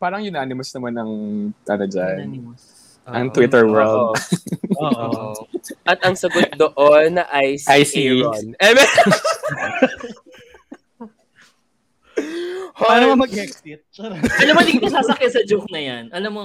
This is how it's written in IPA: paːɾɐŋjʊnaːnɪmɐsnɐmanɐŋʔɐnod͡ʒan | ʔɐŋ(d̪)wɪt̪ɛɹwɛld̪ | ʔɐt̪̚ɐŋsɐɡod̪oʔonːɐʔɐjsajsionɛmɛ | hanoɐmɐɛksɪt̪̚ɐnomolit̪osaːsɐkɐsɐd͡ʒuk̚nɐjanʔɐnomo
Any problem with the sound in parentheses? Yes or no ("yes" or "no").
yes